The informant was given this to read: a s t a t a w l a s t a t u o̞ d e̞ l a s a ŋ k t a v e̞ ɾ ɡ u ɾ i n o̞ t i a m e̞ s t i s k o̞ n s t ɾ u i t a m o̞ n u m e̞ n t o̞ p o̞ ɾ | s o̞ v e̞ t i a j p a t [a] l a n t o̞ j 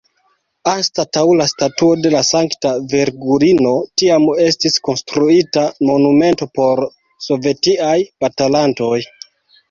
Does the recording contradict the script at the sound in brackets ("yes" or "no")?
no